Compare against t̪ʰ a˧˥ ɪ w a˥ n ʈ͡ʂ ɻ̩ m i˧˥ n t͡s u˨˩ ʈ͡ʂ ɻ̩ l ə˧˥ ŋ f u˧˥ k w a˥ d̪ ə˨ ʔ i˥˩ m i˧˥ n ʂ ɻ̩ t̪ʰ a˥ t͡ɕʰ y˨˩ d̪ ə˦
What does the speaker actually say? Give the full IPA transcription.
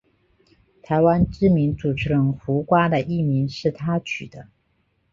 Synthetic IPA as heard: t̪ʰ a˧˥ ɪ w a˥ n ʈ͡ʂ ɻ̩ m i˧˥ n t͡s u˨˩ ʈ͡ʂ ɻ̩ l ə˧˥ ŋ x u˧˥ k w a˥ d̪ ə˨ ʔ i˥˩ m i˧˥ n ʂ ɻ̩ t̪ʰ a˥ t͡ɕʰ y˨˩ d̪ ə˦